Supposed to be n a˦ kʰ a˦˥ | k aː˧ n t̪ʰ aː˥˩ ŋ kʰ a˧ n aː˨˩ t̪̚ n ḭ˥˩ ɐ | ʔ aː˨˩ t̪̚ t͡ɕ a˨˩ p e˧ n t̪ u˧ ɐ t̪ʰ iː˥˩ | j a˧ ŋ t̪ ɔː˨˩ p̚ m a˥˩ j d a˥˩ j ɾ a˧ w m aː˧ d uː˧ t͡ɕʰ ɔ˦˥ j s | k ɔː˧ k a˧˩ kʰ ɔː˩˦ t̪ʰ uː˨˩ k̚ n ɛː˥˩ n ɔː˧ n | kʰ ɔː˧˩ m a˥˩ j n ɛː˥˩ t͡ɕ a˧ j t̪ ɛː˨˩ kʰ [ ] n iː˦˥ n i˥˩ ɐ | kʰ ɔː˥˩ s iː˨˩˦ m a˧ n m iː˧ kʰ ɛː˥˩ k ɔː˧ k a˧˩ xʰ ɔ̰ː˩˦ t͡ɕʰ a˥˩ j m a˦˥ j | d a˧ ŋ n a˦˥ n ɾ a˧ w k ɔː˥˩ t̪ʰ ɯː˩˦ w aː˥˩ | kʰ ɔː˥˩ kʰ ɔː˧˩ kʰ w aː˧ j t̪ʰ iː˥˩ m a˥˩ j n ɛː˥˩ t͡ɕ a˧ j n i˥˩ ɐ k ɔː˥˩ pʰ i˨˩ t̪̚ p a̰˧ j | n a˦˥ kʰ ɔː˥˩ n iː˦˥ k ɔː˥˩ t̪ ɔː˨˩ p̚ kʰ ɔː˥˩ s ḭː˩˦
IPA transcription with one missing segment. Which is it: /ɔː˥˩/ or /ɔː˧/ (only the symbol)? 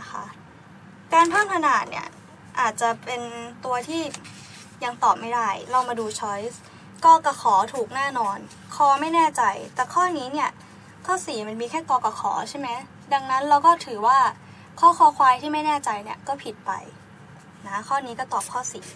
ɔː˥˩